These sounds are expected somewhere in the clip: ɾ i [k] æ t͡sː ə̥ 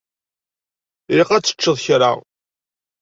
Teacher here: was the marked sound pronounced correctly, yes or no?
no